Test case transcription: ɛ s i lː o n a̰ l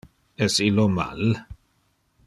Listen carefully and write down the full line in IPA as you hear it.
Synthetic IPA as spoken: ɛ s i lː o m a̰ l